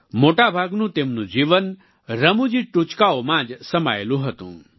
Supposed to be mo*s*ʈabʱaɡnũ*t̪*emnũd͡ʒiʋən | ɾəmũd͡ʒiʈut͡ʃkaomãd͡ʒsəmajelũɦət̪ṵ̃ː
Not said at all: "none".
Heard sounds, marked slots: none, t̪

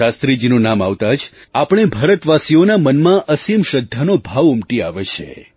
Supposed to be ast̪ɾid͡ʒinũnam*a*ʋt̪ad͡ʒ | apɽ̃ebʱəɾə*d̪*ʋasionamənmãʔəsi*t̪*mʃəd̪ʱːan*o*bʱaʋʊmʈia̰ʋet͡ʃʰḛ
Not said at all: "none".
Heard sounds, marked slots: a, t̪, none, o

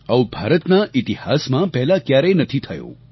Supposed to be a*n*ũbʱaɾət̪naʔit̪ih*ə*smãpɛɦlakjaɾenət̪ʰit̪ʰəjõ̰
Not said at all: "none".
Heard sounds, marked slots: none, a

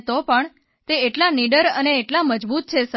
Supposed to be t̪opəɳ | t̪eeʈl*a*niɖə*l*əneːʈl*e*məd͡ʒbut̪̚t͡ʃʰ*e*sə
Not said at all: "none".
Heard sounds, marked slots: a, ɾ, a, e

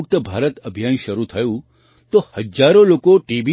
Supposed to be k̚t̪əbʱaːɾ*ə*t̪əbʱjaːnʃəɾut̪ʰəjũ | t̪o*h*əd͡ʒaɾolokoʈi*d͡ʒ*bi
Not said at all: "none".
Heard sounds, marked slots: ə, h, none

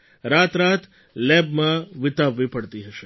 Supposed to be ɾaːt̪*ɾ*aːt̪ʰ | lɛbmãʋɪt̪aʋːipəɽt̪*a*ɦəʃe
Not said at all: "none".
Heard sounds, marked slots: ɾ, i

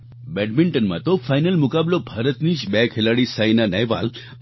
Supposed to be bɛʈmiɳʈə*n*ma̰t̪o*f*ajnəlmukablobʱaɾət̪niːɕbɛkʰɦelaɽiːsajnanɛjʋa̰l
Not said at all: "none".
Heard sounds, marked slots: n, f

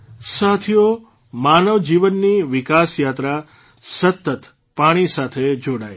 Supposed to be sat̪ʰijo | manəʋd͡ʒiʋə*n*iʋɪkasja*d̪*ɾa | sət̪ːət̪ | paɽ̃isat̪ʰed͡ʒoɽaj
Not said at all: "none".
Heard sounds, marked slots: nː, t̪

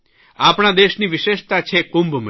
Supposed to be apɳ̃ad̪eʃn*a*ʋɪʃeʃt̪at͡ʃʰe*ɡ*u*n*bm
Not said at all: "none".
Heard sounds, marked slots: i, k, m

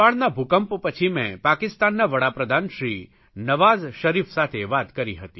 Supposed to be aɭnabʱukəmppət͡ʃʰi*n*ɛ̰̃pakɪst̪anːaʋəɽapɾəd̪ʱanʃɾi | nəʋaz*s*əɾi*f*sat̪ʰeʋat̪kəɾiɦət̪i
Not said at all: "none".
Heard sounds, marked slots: m, ʃ, f

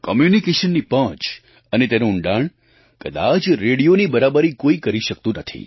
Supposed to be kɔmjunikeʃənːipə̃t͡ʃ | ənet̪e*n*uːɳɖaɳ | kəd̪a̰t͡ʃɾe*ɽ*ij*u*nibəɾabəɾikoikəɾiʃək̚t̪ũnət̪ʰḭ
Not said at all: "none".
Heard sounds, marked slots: n, ɽ, o

